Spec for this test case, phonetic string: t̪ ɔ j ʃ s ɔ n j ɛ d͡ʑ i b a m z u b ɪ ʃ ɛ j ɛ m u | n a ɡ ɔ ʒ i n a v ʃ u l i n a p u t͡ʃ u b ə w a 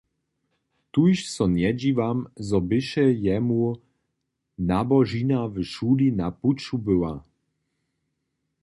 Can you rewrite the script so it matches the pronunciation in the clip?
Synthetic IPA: t̪ u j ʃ s ɔ n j ɛ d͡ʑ i v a m z ɔ b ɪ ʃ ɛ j ɛ m u | n a b ɔ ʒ i n a v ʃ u l i n a p u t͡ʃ u b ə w a